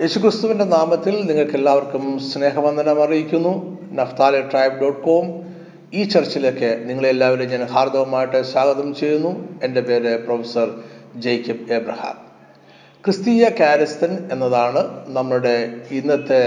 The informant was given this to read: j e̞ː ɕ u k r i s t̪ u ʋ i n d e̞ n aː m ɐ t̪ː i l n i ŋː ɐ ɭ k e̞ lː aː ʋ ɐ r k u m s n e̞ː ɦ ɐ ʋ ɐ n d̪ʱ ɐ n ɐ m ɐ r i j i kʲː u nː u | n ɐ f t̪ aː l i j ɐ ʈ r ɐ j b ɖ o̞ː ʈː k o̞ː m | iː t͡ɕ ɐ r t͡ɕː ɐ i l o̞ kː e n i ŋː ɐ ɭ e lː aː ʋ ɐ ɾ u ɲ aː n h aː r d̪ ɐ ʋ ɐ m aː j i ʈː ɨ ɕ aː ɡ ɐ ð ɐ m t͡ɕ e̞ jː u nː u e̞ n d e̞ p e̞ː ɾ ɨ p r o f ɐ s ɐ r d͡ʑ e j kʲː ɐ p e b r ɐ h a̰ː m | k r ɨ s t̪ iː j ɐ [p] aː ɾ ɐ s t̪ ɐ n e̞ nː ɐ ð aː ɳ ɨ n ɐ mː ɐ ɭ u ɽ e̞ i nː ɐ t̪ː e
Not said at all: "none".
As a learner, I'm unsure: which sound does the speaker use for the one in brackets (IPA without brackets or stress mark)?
k